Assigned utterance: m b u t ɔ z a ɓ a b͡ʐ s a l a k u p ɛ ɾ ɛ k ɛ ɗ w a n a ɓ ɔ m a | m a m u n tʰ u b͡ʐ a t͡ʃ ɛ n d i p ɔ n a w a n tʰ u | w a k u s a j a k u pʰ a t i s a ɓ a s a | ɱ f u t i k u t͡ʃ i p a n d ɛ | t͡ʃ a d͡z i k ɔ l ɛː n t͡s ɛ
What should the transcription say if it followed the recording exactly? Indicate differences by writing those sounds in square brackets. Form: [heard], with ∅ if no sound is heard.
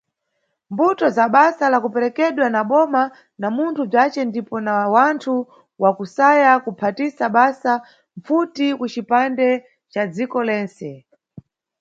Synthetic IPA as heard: m b u t ɔ z a ɓ a [∅] s a l a k u p ɛ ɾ ɛ k ɛ ɗ w a n a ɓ ɔ m a | [n] a m u n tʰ u b͡ʐ a t͡ʃ ɛ n d i p ɔ n a w a n tʰ u | w a k u s a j a k u pʰ a t i s a ɓ a s a | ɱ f u t i k u t͡ʃ i p a n d ɛ | t͡ʃ a d͡z i k ɔ l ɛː n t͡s ɛ